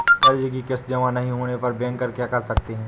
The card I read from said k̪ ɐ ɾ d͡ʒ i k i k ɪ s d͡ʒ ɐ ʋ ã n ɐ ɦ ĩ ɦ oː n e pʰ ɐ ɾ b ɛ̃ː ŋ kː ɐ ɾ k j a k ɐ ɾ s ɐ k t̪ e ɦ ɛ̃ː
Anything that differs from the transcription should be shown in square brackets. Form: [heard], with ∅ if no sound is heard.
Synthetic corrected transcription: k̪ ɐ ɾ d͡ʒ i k i k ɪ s d͡ʒ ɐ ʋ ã n ɐ ɦ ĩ ɦ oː n e [p] ɐ ɾ b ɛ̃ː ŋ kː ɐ ɾ k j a k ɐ ɾ s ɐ k t̪ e ɦ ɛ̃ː